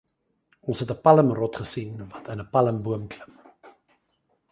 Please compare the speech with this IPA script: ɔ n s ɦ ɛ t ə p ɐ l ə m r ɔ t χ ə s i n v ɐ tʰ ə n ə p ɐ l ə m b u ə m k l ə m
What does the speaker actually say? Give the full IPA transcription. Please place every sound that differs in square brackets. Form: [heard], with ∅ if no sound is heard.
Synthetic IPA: ɔ n s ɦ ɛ t ə p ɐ l ə m r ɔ t χ ə s i n v ɐ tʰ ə n ə p ɐ l ə m b u ə m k l ə m